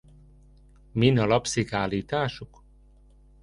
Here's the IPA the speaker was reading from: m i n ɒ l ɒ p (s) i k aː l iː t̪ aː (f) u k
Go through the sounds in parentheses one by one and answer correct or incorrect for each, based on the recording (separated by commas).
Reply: correct, incorrect